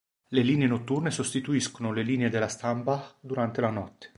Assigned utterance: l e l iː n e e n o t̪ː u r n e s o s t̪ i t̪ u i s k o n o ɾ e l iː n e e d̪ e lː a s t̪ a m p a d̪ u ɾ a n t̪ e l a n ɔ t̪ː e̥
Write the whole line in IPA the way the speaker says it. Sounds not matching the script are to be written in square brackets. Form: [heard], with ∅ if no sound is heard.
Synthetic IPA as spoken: l e l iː n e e n o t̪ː u r n e s o s t̪ i t̪ u i s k o n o [l] e l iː n e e d̪ e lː a s t̪ a m p a d̪ u ɾ a n t̪ e l a n ɔ t̪ː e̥